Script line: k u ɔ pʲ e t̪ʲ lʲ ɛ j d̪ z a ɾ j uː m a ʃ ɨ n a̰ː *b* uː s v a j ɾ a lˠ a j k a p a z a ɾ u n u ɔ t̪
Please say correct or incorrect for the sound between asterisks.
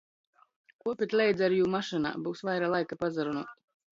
correct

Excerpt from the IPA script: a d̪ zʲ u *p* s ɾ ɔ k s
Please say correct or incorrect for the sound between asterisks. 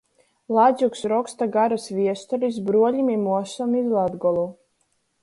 incorrect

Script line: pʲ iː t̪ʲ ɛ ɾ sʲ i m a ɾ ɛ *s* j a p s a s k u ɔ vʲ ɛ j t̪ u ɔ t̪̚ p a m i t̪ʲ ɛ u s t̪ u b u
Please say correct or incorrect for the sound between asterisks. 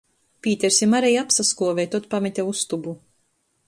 incorrect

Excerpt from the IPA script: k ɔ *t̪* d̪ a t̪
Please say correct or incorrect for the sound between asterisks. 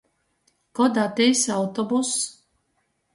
incorrect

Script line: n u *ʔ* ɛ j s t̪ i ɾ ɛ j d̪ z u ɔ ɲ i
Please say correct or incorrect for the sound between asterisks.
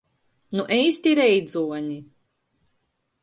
correct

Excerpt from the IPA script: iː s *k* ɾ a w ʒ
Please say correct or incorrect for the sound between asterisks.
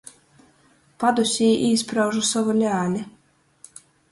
incorrect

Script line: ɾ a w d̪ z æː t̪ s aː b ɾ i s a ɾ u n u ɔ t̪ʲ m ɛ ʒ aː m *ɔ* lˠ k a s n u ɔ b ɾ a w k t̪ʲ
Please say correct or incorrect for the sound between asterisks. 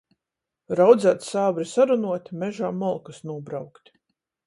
correct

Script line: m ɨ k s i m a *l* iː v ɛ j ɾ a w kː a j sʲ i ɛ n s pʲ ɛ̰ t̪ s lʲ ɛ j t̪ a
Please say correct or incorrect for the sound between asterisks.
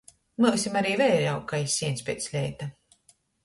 incorrect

